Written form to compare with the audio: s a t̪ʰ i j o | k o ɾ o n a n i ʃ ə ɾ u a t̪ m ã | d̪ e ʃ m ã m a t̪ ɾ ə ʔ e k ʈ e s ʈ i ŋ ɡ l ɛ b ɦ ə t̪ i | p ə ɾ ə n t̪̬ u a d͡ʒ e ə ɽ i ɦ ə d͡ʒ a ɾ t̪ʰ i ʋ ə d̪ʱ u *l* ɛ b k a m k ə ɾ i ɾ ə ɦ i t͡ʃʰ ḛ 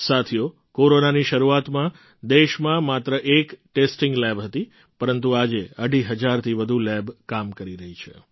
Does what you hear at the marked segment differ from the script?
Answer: no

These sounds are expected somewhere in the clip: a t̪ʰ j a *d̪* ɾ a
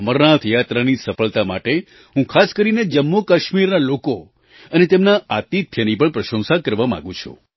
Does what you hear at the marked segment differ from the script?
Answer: yes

